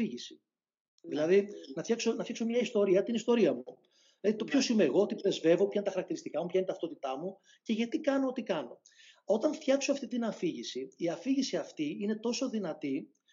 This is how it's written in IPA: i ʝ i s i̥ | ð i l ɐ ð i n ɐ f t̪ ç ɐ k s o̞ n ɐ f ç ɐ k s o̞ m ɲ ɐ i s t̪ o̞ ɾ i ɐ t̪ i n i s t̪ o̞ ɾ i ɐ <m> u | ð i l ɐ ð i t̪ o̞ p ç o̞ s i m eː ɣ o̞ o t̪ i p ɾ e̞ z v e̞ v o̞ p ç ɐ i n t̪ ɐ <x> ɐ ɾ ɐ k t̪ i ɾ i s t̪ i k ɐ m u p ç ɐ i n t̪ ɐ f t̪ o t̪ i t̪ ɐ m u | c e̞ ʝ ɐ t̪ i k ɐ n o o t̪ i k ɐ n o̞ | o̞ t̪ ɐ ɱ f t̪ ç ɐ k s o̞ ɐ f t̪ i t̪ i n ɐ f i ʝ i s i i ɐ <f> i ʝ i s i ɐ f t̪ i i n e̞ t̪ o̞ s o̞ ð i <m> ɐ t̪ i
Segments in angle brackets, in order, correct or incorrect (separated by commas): correct, correct, correct, incorrect